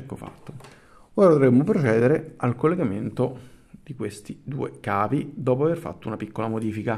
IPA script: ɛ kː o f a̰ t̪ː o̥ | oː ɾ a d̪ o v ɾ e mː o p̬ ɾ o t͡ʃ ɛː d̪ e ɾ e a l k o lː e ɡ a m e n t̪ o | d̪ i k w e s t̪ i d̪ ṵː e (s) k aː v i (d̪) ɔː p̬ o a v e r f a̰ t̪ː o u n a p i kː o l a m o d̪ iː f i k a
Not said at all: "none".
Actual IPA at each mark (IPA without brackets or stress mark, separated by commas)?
none, d̪